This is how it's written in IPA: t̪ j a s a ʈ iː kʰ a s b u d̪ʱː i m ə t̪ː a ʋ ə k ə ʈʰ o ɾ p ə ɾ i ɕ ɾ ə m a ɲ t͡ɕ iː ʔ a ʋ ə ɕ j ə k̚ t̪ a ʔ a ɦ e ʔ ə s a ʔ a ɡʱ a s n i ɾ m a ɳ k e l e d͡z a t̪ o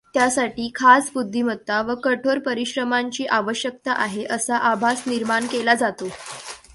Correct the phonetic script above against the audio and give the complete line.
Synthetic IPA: t̪ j a s a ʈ iː kʰ a s b u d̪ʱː i m ə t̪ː a ʋ ə k ə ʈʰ o ɾ p ə ɾ i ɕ ɾ ə m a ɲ t͡ɕ iː ʔ a ʋ ə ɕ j ə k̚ t̪ a ʔ a ɦ e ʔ ə s a ʔ a bʱ a s n i ɾ m a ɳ k e l a d͡z a t̪ o